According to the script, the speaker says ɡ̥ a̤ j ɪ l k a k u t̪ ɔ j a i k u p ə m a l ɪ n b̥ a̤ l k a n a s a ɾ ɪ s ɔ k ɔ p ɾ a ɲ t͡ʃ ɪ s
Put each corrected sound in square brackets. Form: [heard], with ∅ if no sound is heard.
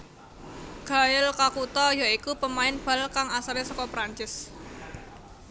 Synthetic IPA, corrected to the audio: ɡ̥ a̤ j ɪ l k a k u t̪ ɔ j a i k u p ə m a [∅] ɪ n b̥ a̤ l k a [ŋ] a s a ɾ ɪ s ɔ k ɔ p ɾ a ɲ t͡ʃ ɪ s